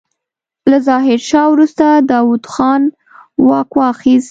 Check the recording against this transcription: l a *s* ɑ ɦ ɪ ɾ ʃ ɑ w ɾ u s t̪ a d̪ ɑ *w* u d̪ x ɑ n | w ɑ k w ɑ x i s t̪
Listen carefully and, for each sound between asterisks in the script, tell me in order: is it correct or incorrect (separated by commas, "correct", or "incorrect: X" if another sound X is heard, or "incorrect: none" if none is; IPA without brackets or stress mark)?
incorrect: z, correct